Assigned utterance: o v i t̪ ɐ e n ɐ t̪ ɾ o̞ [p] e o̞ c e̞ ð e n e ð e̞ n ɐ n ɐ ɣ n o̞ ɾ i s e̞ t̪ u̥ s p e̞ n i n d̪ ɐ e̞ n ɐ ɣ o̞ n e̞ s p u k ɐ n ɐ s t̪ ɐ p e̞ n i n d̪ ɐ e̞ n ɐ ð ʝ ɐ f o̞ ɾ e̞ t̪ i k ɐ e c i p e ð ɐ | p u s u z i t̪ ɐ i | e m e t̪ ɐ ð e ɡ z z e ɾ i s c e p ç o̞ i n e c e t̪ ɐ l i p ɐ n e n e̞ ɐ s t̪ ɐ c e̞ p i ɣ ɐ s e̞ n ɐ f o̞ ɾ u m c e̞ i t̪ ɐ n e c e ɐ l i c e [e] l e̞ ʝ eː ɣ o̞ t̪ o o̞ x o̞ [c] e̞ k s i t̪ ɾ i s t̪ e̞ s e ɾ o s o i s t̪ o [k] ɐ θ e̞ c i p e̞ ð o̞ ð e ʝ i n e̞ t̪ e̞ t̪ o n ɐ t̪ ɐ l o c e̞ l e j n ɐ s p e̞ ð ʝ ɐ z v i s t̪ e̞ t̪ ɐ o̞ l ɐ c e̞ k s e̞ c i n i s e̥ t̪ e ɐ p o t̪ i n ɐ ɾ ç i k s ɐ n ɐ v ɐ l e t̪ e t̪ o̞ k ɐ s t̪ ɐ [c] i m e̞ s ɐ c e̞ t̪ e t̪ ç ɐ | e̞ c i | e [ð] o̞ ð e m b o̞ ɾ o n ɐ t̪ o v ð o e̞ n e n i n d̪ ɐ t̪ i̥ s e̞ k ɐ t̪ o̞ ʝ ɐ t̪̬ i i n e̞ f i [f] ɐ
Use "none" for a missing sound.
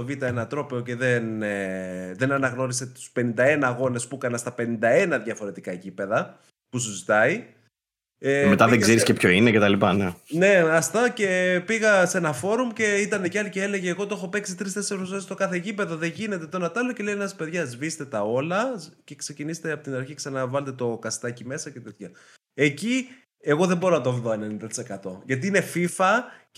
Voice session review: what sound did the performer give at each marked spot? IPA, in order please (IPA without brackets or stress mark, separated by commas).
p, e, p, k, c, ɣ, f